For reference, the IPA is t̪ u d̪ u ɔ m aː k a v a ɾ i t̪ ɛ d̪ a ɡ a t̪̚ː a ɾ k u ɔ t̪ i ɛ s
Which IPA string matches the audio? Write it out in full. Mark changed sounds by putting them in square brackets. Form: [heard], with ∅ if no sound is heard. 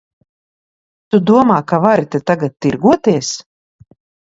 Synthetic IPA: t̪ u d̪ u ɔ m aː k a v a ɾ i t̪ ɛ [t̪] a ɡ a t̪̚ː [i] ɾ [ɡ] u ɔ t̪ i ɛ s